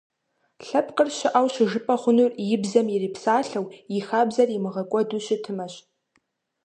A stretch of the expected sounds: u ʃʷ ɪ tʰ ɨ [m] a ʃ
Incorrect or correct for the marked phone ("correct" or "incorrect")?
correct